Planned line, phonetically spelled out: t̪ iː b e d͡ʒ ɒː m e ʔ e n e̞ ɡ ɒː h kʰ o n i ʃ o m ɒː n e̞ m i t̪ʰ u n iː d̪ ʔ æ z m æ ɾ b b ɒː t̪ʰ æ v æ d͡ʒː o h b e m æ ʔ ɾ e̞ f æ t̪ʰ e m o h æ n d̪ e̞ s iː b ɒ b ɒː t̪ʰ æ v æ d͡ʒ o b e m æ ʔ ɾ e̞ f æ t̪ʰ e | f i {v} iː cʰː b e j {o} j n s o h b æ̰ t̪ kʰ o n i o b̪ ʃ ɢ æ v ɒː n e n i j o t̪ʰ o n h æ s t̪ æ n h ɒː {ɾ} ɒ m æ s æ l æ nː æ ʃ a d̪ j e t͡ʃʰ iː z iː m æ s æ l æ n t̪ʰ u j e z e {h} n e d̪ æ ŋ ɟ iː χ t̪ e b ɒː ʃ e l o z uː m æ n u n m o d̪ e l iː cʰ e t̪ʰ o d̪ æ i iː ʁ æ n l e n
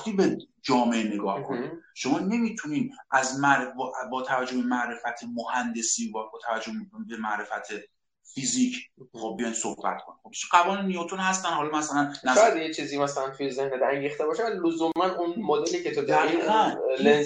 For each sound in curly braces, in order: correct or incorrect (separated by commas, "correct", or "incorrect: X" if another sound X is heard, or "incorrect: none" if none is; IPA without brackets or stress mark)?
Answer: incorrect: z, incorrect: ɒ, incorrect: l, correct